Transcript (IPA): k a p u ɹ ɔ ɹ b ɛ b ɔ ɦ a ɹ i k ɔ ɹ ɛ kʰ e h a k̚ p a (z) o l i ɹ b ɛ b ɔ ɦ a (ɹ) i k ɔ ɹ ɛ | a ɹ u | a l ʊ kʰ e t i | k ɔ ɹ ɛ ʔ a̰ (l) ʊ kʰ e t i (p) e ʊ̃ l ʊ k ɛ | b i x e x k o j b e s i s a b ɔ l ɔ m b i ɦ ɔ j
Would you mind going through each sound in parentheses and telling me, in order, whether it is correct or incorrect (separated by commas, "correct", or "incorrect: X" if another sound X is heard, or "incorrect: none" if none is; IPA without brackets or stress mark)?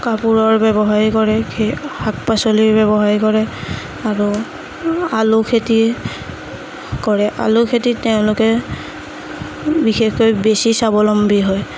incorrect: s, correct, correct, incorrect: t